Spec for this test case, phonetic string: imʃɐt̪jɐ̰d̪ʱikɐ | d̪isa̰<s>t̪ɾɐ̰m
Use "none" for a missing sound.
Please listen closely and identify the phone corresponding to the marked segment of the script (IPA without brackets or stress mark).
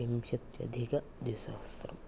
s